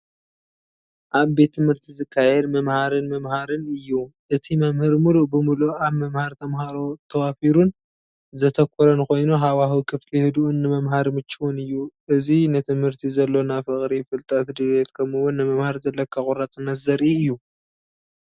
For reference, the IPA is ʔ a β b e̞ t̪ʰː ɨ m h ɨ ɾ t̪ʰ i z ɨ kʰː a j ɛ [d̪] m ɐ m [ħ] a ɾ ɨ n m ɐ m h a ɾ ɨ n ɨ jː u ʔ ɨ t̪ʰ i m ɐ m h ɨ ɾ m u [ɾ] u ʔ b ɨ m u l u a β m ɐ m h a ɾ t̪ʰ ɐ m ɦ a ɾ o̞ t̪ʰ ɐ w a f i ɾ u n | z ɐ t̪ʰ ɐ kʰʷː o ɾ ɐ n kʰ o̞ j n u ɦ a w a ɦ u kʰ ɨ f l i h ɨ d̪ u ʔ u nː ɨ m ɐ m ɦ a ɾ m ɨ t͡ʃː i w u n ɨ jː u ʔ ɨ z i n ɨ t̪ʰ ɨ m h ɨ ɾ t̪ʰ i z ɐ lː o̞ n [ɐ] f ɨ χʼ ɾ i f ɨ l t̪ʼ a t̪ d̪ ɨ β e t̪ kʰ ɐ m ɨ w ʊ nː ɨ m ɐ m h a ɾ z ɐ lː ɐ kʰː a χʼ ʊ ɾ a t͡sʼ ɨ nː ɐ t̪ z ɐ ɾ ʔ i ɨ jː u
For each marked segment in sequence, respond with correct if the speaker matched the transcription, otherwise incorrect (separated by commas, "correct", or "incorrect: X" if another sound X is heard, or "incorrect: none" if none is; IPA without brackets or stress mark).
correct, incorrect: h, incorrect: l, incorrect: a